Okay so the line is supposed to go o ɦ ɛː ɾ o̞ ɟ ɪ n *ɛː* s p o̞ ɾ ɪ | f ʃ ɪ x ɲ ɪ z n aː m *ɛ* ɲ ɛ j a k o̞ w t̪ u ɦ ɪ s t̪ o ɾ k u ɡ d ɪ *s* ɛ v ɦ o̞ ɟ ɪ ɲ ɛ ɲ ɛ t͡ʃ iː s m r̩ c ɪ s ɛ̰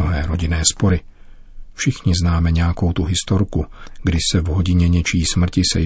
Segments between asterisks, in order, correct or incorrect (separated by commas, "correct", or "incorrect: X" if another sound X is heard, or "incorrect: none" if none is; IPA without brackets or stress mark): correct, correct, correct